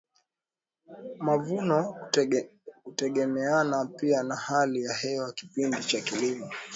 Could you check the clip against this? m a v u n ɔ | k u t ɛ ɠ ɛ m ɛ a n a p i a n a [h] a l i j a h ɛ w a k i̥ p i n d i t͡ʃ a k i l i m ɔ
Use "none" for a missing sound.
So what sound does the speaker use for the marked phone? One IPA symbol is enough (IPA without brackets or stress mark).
h